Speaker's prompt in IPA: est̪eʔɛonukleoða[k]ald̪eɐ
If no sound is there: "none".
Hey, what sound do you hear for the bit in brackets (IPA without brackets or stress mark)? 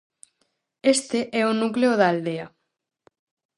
none